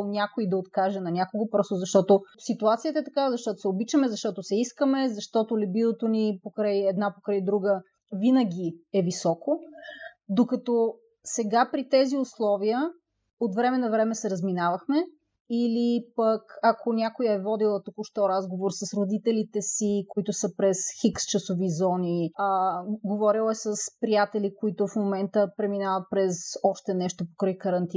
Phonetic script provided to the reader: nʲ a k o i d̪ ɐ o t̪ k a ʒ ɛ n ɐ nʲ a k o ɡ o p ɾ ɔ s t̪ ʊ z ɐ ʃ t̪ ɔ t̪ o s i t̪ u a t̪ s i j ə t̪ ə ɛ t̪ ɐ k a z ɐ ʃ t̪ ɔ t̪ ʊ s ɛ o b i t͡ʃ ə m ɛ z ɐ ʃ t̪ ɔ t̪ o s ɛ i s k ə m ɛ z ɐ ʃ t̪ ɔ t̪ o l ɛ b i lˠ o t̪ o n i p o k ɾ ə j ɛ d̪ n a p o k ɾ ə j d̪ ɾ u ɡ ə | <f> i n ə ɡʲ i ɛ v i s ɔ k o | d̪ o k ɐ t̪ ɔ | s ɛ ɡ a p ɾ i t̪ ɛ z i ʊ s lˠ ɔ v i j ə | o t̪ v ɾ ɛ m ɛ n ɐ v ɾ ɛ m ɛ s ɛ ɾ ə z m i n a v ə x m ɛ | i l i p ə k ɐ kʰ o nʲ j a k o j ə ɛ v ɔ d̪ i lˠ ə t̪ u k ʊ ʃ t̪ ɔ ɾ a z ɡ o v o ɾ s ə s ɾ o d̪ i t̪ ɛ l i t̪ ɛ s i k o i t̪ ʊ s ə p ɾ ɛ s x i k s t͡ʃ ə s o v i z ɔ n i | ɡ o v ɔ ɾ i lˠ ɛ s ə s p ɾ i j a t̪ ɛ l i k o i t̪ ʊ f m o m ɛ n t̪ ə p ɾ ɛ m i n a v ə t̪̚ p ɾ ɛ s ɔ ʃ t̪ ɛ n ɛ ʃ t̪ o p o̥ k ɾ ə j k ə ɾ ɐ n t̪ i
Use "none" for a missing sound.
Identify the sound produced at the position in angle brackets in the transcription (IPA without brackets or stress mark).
v